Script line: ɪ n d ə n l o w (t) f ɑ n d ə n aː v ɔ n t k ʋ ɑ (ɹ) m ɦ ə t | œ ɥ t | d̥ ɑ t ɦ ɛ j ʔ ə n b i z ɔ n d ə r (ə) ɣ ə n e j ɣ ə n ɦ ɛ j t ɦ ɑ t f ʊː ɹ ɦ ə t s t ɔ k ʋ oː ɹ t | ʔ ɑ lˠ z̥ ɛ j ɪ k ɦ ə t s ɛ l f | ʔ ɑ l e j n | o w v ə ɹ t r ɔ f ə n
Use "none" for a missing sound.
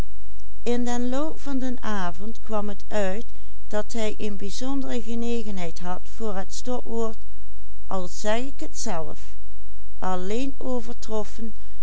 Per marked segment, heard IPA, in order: p, none, ə

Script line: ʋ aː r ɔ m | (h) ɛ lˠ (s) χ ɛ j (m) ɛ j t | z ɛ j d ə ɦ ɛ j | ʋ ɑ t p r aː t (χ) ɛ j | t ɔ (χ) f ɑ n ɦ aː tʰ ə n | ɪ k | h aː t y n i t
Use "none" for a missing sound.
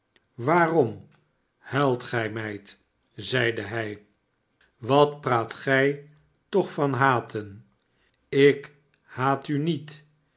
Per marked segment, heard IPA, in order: h, t, m, χ, χ

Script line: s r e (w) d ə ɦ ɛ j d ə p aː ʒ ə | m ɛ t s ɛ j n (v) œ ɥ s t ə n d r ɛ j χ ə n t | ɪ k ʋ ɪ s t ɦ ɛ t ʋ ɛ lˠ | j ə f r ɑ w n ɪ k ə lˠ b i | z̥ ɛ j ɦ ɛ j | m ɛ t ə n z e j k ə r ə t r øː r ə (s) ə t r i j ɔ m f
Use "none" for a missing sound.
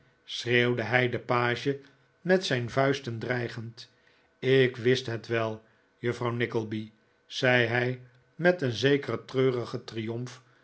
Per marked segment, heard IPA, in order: w, v, χ

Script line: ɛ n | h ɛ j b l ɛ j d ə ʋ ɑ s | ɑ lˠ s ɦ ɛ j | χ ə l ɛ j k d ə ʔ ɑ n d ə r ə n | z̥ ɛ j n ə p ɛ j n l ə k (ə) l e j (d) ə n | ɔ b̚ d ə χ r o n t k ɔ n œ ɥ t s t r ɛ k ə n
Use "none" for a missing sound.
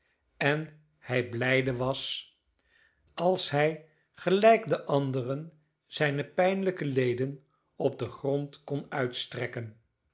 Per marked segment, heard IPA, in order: ə, d

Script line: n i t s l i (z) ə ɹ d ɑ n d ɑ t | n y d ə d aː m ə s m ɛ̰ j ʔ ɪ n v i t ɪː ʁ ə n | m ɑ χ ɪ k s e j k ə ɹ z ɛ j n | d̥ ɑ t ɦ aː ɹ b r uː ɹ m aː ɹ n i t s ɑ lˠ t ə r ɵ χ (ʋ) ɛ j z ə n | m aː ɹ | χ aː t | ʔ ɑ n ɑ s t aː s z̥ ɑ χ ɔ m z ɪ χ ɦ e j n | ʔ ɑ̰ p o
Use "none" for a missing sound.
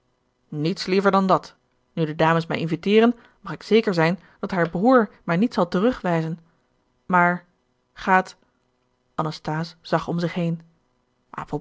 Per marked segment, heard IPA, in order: v, ʋ

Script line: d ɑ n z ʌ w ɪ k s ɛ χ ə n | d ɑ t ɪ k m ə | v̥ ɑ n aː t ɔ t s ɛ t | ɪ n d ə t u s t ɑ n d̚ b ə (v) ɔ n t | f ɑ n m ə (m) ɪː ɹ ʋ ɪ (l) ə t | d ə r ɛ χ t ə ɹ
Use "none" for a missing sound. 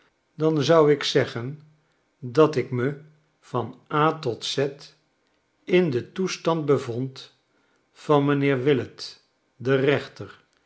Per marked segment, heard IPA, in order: v, n, l

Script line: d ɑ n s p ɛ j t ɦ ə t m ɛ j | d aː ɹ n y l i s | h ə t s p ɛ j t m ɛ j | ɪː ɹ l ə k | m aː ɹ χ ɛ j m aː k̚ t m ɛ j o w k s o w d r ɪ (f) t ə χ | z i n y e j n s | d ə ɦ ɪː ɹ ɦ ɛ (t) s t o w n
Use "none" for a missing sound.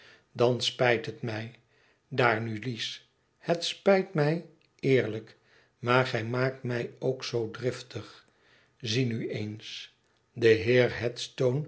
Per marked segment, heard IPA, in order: f, t

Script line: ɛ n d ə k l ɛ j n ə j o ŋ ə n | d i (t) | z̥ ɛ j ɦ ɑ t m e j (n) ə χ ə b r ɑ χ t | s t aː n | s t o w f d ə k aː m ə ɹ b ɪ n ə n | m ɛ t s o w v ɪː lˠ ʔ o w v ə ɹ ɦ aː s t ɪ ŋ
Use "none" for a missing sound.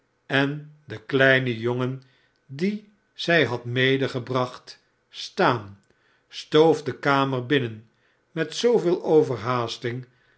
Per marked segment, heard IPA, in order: none, d

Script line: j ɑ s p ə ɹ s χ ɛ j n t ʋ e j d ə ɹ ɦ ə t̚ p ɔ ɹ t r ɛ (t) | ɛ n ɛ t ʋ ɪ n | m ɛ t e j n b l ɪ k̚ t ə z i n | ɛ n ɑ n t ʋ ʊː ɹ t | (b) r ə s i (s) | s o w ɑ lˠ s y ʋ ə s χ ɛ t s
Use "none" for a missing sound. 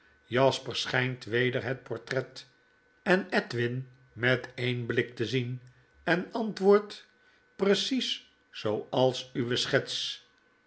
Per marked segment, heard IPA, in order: t, p, s

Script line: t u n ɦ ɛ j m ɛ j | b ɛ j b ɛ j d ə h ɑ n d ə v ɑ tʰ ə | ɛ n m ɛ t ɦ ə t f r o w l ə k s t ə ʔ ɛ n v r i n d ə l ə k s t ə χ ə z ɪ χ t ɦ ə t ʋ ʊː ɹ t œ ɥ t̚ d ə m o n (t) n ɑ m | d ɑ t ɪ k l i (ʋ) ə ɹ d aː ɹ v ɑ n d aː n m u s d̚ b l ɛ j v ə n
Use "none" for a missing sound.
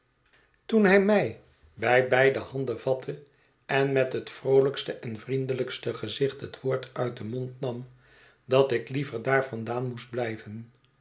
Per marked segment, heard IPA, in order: t, v

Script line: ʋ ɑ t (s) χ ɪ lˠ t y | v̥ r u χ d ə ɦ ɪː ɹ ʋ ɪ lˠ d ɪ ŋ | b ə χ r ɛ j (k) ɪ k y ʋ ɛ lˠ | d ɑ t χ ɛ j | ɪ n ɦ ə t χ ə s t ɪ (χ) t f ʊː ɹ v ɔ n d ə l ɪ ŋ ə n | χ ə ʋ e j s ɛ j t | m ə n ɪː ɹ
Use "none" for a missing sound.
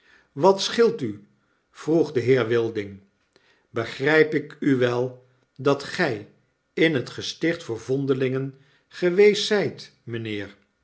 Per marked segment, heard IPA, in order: s, p, χ

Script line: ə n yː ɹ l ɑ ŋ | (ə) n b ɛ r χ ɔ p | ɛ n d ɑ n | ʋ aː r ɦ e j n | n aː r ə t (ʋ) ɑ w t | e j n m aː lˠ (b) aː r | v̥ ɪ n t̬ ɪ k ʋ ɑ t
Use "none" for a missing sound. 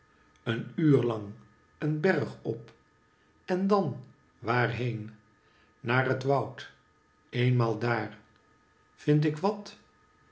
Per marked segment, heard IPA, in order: ə, ʋ, d

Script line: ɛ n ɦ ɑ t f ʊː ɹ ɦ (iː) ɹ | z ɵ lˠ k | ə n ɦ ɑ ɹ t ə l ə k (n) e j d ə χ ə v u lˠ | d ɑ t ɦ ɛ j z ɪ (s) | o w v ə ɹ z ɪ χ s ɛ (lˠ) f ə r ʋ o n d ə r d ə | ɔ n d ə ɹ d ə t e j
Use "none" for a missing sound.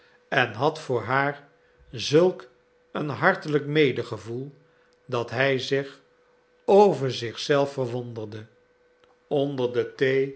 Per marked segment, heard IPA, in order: aː, m, χ, lˠ

